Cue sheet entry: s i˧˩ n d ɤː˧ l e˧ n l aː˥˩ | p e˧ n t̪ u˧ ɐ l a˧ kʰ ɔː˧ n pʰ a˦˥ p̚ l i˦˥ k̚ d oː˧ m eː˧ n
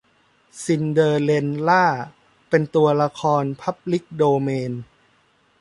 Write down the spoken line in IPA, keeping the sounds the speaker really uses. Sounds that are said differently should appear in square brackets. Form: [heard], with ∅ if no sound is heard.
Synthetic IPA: s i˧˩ n d ɤː˧ l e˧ n l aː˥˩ | p e˧ n t̪ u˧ ɐ l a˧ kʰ ɔː˧ n pʰ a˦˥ p̚ l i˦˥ k̚ d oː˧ m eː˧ n